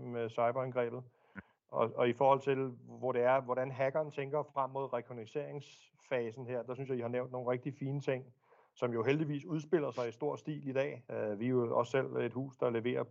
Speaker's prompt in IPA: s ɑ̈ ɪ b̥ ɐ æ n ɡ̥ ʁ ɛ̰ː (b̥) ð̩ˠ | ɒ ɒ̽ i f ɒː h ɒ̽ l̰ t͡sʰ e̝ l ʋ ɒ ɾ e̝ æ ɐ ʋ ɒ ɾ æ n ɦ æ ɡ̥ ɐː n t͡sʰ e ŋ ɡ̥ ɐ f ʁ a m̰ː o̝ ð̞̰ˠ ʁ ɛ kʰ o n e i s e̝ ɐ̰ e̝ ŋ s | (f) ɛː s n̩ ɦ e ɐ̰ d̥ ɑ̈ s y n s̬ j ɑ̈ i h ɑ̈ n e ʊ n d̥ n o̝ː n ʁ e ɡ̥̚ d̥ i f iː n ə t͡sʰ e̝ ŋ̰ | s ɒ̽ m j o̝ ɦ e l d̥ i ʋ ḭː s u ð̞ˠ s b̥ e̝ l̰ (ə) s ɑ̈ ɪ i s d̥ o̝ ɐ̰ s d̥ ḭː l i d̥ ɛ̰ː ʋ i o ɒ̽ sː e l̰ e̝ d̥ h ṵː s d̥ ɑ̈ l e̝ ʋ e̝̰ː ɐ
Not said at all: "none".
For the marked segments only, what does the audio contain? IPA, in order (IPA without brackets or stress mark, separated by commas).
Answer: b̥, f, ɐ